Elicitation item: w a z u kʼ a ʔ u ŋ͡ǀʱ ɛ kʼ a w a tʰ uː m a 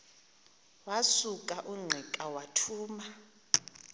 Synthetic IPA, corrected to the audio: w a s u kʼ a ʔ u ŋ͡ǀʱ ɛ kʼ a w a tʰ uː m a